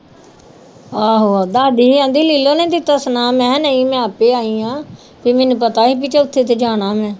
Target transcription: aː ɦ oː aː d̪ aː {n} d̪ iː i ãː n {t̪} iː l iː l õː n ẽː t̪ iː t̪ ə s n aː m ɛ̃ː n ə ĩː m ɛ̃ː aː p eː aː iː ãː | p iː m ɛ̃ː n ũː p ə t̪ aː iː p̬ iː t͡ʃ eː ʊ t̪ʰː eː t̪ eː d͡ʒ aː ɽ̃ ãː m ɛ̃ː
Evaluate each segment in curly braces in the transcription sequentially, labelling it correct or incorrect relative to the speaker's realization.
incorrect: none, incorrect: d̪

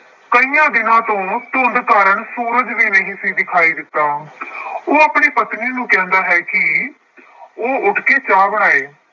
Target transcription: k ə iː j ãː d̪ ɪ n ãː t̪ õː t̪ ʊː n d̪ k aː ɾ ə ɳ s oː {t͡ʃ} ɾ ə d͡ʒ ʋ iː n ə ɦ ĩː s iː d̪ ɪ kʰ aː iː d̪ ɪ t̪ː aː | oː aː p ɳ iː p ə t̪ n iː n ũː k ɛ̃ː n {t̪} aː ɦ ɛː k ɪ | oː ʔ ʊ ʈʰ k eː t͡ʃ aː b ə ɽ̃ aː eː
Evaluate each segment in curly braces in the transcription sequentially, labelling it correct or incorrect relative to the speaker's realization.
incorrect: none, incorrect: d̪

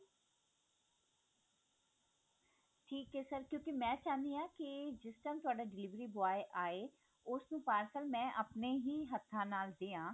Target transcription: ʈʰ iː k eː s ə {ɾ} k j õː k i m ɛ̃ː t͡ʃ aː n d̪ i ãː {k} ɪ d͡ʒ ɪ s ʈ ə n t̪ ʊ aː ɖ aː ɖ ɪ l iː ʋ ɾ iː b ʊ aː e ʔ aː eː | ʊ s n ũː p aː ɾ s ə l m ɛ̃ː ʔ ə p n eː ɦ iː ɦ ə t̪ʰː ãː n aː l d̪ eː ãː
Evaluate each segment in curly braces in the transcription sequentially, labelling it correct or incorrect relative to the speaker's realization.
correct, correct

